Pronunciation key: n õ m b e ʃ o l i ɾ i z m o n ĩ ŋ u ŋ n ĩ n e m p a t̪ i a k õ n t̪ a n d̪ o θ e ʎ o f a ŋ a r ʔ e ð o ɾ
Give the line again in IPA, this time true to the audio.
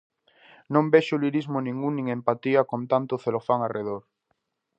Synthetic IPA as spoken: n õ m b e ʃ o l i ɾ i z m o n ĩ ŋ u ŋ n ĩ ŋ e m p a t̪ i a k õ n t̪ a n t̪ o θ e l o f a ŋ a r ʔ e ð o ɾ